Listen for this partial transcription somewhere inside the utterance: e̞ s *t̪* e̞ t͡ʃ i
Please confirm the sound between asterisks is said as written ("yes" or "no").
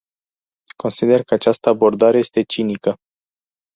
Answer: yes